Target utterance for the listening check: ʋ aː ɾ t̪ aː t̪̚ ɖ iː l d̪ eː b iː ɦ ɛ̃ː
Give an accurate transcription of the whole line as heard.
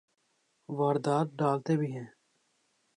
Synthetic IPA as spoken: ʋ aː ɾ d̪ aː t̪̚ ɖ aː l t̪ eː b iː ɦ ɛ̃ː